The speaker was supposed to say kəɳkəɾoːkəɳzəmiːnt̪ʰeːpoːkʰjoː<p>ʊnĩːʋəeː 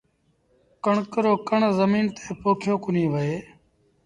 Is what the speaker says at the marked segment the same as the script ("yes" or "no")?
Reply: no